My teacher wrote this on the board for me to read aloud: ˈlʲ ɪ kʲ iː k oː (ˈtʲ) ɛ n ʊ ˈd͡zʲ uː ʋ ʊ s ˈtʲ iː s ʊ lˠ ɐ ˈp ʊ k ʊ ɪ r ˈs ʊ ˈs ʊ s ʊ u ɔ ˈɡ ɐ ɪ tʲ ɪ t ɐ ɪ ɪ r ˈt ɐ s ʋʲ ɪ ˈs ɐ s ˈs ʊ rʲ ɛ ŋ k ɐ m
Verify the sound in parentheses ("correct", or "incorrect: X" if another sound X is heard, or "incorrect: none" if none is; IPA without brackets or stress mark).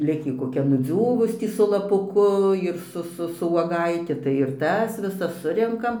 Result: incorrect: kʲ